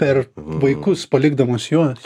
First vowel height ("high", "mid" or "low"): mid